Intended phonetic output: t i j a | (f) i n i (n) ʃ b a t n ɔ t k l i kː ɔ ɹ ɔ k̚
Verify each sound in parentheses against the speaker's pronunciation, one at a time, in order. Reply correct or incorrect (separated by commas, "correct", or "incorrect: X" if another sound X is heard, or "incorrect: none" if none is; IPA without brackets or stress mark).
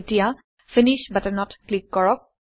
correct, incorrect: none